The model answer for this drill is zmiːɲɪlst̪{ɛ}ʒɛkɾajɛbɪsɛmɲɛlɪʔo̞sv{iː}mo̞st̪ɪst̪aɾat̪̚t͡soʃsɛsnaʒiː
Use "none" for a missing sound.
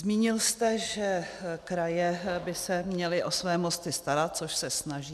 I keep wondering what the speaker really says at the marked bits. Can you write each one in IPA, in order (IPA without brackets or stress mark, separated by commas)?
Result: ɛ, ɛː